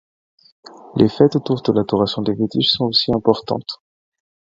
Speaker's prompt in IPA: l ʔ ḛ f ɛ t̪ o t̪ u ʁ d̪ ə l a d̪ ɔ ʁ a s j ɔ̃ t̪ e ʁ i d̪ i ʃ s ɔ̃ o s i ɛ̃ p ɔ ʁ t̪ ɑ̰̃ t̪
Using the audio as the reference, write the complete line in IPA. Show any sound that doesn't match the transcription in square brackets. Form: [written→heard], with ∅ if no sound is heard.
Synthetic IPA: l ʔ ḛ f ɛ t̪ o t̪ u ʁ d̪ ə l a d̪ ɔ ʁ a s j ɔ̃ [t̪→d̪] e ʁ i [d̪→t̪] i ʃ s ɔ̃ o s i ɛ̃ p ɔ ʁ t̪ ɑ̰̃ t̪